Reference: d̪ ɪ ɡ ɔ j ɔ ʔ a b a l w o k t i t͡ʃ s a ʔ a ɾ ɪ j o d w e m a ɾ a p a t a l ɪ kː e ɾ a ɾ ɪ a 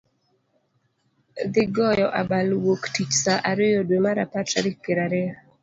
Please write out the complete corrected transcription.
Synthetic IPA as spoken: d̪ ɪ ɡ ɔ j ɔ ʔ a b a l w o k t i t͡ʃ s a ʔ a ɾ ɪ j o d w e m a ɾ a p a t a ɾ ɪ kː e ɾ a ɾ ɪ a

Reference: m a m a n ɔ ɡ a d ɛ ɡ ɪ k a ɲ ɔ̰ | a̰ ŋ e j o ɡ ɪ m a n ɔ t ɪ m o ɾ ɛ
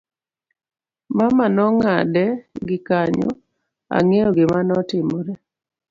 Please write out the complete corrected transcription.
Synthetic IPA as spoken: m a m a n ɔ ŋ a d ɛ ɡ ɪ k a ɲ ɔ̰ | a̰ ŋ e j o ɡ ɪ m a n ɔ t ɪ m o ɾ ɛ

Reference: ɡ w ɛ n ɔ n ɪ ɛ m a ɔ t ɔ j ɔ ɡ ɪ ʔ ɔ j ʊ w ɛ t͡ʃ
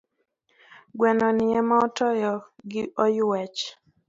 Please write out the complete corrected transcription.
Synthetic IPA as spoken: ɡ w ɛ n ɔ n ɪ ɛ m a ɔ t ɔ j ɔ ɡ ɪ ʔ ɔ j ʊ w ɛ t͡ʃ

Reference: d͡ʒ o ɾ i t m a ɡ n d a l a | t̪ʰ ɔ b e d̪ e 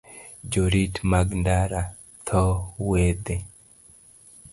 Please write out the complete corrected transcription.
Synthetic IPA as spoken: d͡ʒ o ɾ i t m a ɡ n d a ɾ a | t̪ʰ ɔ w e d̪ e

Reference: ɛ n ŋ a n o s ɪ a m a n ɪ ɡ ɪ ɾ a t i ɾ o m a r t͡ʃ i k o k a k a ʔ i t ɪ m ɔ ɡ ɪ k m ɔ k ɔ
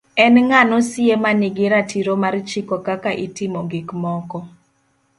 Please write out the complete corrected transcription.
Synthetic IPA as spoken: ɛ n ŋ a n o s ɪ e m a n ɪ ɡ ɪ ɾ a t i ɾ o m a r t͡ʃ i k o k a k a ʔ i t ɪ m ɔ ɡ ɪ k m ɔ k ɔ

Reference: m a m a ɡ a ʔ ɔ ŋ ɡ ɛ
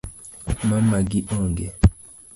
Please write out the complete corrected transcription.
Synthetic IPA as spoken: m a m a ɡ i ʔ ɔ ŋ ɡ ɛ

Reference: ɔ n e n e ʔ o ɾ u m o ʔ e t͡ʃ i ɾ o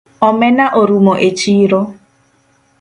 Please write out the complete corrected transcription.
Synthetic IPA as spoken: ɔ m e n a ʔ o ɾ u m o ʔ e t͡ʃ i ɾ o

